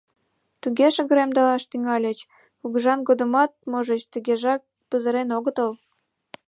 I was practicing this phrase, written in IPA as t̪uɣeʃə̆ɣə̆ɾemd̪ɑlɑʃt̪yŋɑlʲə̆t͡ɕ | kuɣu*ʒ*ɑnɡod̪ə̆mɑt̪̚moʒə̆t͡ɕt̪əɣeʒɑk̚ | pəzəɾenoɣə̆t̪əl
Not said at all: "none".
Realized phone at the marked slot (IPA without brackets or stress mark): ʒ